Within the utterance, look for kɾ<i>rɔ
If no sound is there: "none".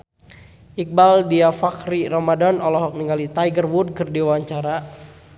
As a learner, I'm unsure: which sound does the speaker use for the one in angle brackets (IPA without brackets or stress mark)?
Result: i